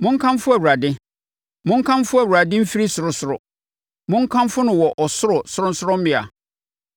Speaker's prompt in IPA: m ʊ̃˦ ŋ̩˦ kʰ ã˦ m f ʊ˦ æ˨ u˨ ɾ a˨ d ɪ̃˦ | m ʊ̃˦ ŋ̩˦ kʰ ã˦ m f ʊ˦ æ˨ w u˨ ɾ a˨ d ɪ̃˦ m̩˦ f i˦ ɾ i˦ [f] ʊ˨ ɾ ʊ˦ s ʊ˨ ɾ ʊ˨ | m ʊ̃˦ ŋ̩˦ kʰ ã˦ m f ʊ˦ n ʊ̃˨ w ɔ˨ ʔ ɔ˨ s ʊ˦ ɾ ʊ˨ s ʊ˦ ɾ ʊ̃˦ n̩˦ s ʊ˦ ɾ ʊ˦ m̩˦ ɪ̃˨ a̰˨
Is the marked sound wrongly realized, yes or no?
yes